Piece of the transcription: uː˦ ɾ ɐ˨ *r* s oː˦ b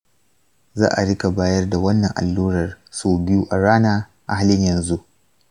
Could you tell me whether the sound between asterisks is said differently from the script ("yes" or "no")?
no